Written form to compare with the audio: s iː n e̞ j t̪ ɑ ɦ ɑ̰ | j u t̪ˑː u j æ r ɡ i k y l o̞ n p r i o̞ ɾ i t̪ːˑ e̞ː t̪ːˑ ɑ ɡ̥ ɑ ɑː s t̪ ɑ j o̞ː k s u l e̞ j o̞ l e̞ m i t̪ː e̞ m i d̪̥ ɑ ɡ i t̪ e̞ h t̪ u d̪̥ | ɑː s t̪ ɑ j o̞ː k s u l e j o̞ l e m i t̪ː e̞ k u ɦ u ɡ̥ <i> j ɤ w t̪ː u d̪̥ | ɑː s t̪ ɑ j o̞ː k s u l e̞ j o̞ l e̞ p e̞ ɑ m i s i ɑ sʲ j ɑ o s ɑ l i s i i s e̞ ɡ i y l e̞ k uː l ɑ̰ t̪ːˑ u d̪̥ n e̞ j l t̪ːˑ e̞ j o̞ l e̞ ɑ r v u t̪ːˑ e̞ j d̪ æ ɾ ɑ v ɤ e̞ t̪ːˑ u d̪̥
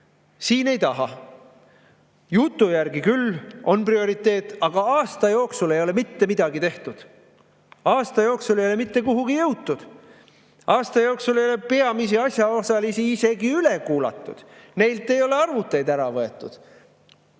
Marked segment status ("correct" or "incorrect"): correct